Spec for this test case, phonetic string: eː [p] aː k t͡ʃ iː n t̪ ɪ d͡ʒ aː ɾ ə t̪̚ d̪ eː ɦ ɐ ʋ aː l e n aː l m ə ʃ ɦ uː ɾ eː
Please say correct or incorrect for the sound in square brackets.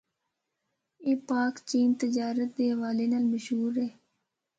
correct